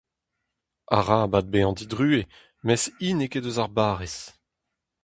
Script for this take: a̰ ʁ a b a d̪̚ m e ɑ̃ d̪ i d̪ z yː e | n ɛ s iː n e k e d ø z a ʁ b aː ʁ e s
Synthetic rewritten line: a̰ ʁ a b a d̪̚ b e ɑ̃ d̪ i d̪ ʁ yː e | m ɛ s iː n e k e d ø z a ʁ b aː ʁ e s